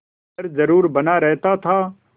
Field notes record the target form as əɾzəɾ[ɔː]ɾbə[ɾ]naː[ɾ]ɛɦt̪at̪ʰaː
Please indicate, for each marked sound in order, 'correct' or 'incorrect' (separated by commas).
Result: incorrect, incorrect, correct